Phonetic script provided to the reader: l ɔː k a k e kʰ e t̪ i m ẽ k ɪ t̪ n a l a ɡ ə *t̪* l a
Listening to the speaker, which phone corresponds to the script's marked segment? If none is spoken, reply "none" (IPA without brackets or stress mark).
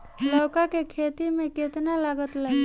t̪